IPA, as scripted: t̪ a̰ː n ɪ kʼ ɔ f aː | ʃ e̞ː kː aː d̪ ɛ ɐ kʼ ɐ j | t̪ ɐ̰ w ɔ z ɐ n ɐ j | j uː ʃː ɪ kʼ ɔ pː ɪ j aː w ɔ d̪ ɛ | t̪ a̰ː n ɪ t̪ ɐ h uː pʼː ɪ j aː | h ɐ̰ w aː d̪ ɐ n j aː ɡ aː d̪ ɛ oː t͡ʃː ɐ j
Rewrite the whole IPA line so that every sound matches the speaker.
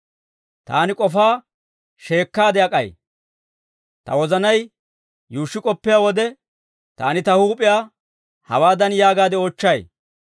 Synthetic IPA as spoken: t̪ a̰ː n ɪ kʼ ɔ f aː | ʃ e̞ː kː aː d̪ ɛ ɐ kʼ ɐ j | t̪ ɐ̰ w ɔ z ɐ n ɐ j | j uː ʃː ɪ kʼ ɔ pː ɪ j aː w ɔ d̪ ɛ | t̪ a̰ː n ɪ t̪ ɐ h uː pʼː ɪ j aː | h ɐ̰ w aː d̪ ɐ n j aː ɡ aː d̪ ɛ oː t͡ʃː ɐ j